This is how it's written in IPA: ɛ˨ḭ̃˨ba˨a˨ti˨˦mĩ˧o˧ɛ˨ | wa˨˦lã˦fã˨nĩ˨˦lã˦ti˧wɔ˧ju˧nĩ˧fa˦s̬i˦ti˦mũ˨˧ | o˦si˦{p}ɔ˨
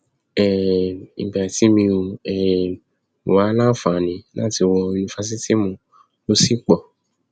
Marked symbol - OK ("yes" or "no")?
no